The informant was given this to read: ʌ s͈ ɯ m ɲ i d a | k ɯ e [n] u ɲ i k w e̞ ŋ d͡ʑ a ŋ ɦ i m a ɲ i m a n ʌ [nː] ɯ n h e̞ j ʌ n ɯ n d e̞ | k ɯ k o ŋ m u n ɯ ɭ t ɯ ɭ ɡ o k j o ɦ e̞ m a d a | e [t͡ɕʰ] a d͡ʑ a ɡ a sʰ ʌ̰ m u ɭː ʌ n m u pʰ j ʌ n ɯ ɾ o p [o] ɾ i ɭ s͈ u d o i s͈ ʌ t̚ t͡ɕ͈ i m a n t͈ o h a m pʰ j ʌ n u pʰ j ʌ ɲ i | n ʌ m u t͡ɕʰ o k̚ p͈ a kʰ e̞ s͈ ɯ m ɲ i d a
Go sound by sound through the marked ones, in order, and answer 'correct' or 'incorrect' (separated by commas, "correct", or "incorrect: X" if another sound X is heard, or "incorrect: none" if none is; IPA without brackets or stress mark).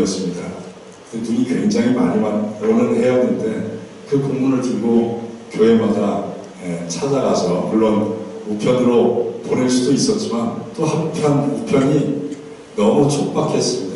correct, incorrect: n, correct, correct